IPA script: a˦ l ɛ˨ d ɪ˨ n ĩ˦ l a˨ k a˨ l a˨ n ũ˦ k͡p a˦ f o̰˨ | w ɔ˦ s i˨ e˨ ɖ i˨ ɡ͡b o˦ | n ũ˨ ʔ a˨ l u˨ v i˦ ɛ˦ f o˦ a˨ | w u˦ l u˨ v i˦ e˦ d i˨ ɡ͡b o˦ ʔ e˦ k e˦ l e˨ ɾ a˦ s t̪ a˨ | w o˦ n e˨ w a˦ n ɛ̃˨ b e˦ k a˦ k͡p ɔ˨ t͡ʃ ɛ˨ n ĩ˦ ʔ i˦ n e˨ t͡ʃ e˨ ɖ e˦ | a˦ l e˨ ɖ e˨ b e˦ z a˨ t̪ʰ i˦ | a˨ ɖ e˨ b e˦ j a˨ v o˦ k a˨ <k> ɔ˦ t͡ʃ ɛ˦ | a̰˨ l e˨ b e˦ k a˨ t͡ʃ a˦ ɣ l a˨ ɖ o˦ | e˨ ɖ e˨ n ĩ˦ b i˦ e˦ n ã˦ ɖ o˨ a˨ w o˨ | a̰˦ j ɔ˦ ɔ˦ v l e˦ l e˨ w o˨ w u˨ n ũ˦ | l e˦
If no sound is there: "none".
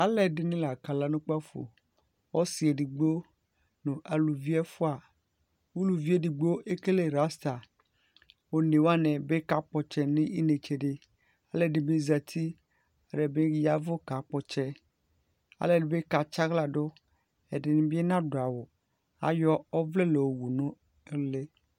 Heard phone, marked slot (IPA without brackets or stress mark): k͡p